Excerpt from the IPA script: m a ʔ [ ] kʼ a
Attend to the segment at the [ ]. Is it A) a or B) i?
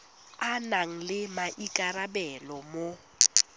B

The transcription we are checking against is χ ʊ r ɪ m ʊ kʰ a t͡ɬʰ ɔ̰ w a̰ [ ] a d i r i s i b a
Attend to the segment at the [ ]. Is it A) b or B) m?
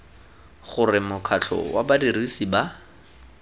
A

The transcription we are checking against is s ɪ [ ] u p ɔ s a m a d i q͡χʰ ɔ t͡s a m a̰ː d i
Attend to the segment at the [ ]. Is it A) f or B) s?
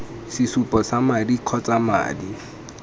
B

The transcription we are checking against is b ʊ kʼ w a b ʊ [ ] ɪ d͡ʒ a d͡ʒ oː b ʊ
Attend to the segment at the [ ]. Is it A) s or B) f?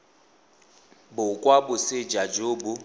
A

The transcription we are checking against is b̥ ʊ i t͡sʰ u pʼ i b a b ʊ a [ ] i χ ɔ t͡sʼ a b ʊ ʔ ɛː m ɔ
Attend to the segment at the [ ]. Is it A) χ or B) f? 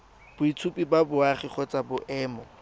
A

